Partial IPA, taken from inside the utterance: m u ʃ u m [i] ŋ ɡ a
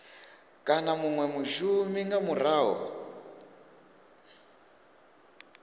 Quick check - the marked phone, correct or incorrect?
correct